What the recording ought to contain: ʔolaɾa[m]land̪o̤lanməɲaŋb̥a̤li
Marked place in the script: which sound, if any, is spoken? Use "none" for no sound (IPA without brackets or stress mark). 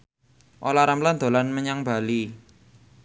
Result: m